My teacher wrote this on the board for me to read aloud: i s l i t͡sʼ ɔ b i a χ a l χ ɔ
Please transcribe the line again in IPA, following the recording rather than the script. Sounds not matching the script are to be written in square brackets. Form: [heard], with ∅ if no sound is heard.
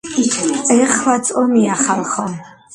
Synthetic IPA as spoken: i [χ] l [a] t͡sʼ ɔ [m] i a χ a l χ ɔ